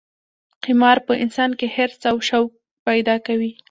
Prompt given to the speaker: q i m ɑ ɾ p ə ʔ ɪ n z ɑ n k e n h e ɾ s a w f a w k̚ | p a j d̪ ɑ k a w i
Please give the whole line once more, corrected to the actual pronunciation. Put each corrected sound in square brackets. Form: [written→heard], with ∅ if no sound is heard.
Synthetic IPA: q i m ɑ ɾ p ə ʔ ɪ n [z→s] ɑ n k e [n→∅] h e ɾ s a w [f→ʃ] a w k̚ | p a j d̪ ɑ k a w i